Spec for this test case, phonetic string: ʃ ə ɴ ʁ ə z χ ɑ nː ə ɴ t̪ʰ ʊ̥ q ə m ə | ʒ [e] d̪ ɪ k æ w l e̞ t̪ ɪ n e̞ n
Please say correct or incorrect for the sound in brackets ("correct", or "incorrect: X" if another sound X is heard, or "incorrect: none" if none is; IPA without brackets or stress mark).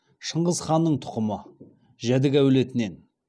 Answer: incorrect: æ